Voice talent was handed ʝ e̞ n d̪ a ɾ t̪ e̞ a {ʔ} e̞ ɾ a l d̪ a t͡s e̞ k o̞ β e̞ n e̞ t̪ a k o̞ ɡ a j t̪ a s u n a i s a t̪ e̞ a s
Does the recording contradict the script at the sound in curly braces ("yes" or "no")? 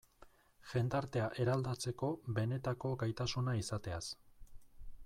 no